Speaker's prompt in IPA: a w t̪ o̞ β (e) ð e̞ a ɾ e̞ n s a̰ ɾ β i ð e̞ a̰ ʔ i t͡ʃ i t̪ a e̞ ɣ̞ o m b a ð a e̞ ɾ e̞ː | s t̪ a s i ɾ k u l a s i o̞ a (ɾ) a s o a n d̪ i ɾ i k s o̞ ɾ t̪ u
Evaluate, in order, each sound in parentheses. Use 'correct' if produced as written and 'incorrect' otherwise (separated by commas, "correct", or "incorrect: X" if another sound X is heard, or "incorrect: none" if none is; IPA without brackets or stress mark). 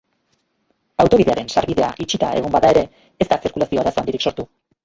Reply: incorrect: i, correct